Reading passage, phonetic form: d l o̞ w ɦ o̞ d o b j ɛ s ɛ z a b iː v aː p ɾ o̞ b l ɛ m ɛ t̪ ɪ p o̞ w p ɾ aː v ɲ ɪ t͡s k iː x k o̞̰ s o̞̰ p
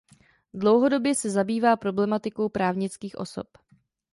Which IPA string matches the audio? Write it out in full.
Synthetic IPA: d l o̞ w ɦ o̞ d o b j ɛ s ɛ z a b iː v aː p ɾ o̞ b l ɛ m a t̪ ɪ k o̞ w p ɾ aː v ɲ ɪ t͡s k iː x ʔ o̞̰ s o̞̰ p

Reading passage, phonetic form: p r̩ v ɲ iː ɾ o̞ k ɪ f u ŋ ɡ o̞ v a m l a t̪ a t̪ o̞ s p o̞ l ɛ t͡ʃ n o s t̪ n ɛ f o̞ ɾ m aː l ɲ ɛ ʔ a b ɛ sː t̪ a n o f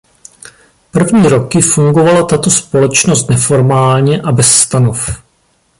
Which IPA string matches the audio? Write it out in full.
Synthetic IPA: p r̩ v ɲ iː ɾ o̞ k ɪ f u ŋ ɡ o̞ v a l a t̪ a t̪ o̞ s p o̞ l ɛ t͡ʃ n o s t̪ n ɛ f o̞ ɾ m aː l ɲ ɛ ʔ a b ɛ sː t̪ a n o f

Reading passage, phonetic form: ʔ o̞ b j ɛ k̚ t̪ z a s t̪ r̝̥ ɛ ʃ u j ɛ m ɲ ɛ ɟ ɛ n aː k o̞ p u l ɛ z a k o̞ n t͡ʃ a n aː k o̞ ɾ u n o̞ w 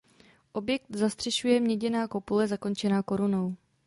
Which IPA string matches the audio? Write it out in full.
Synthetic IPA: ʔ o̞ b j ɛ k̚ t̪ z a s t̪ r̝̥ ɛ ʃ u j ɛ m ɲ ɛ ɟ ɛ n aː k o̞ p u l ɛ z a k o̞ n t͡ʃ ɛ n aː k o̞ ɾ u n o̞ w

